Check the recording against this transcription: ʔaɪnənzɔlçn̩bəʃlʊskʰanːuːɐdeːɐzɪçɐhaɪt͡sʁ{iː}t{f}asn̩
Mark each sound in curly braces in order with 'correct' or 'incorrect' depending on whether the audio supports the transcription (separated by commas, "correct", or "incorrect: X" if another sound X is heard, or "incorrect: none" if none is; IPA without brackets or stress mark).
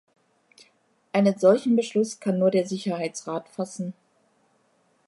incorrect: aː, correct